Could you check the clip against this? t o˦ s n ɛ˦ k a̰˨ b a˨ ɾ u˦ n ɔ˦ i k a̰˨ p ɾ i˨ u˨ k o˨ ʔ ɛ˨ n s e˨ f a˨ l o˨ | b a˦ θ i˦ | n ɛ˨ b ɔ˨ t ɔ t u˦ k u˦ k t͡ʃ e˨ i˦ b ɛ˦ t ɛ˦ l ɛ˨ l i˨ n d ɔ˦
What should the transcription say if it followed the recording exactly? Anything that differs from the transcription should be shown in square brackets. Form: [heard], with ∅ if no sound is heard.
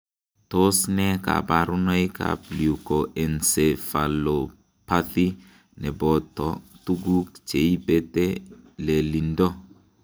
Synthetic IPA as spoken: t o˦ s n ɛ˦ k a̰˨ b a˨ ɾ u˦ n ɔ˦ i k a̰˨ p [l] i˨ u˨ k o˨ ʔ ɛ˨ n s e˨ f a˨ l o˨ | [p] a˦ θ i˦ | n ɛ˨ b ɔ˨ t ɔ t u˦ [ɡ] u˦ k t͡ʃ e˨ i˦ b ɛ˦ t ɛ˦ l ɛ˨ l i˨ n d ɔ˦